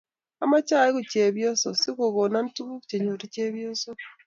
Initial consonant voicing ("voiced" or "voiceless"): voiced